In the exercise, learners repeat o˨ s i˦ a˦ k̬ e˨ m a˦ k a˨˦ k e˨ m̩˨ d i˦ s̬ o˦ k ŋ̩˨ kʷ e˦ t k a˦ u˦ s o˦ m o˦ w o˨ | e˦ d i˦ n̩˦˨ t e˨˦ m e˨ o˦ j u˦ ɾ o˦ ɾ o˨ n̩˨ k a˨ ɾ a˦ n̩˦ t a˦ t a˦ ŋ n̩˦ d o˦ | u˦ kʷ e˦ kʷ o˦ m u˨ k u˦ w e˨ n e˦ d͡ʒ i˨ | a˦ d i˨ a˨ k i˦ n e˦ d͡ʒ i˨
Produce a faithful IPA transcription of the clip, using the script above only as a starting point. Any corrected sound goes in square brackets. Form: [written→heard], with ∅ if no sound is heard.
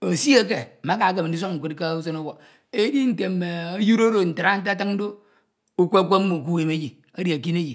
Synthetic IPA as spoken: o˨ s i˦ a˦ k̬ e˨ m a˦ k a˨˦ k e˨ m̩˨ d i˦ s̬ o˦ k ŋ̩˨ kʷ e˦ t k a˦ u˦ s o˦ [m→n] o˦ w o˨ | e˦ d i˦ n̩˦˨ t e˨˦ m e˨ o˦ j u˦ ɾ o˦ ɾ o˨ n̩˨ [k→t] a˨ ɾ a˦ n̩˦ t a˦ t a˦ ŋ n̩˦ d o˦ | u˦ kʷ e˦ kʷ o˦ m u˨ k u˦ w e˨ [n→m] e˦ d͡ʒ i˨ | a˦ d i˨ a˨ k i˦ n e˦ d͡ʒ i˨

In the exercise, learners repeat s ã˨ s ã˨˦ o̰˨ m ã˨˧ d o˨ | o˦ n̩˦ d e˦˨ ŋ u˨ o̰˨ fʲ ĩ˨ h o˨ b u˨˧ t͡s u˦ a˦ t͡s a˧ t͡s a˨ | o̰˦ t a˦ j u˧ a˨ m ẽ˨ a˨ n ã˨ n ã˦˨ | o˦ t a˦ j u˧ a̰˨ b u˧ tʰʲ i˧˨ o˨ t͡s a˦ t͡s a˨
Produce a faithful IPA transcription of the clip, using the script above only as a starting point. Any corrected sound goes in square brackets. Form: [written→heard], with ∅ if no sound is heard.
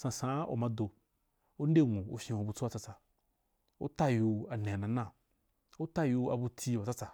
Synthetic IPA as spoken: s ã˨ s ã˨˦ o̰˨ m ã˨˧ d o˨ | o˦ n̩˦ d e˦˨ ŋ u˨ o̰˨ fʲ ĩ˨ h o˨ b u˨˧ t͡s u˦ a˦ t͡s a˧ t͡s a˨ | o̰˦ t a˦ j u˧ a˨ [m→n] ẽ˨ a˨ n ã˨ n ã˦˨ | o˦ t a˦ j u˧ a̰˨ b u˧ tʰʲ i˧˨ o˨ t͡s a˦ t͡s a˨

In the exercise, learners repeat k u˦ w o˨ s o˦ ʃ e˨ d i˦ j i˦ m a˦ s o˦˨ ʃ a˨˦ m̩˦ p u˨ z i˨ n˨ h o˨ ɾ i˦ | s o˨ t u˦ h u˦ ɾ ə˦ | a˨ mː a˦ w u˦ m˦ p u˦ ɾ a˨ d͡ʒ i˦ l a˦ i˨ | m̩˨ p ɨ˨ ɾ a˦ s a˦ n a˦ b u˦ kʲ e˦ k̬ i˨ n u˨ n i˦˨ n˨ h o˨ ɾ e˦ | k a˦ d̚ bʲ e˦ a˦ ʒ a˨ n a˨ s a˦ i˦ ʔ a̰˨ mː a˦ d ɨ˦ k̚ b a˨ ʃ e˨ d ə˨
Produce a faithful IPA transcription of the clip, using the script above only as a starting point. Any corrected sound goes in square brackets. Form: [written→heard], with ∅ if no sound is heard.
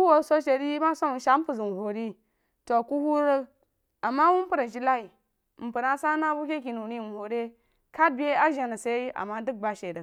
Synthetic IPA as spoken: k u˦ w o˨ s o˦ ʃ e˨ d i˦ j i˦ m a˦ s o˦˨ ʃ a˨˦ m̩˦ p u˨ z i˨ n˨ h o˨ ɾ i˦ | [s→t] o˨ [t→k] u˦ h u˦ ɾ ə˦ | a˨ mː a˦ w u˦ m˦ p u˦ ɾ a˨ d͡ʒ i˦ l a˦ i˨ | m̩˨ p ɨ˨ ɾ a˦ s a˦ n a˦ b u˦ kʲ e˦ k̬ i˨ n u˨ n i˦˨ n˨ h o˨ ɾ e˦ | k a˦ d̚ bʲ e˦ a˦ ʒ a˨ n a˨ s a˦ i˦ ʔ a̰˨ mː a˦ d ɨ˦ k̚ b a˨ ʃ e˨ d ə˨

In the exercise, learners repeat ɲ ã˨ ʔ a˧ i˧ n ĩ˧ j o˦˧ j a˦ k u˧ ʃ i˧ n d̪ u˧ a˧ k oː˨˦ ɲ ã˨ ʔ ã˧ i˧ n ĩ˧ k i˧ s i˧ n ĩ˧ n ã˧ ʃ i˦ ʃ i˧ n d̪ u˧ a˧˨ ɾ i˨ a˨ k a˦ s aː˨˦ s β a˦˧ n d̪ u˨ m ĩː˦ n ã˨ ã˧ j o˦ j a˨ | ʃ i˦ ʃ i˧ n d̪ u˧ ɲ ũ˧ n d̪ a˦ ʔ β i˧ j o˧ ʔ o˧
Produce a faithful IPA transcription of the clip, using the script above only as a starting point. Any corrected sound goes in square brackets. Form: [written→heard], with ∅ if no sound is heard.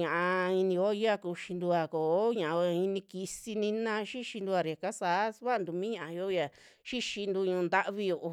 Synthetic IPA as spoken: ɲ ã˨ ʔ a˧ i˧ n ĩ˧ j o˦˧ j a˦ k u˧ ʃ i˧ n d̪ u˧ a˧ k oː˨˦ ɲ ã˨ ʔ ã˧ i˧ n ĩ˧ k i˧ s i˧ n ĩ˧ n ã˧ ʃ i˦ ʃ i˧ n d̪ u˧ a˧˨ ɾ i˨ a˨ k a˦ s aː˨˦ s β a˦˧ n d̪ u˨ m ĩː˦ [n→ɲ] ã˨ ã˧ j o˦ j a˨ | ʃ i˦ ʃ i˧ n d̪ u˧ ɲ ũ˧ n d̪ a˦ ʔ β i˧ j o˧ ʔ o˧

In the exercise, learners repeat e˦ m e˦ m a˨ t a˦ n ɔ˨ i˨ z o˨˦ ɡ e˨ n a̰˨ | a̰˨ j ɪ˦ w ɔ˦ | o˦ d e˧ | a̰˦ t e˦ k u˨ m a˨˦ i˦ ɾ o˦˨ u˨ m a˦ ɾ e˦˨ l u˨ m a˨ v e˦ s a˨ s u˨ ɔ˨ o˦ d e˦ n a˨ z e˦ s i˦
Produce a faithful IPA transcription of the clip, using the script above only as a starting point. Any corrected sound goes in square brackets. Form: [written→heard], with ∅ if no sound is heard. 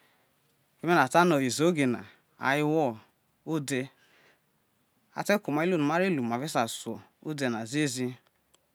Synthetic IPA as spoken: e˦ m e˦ [m→n] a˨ t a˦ n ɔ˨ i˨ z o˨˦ ɡ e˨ n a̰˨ | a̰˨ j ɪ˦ w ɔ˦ | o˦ d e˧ | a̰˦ t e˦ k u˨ m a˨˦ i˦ [ɾ→l] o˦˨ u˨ m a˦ ɾ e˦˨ l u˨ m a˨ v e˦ s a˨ s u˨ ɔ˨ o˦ d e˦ n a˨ z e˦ [s→z] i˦

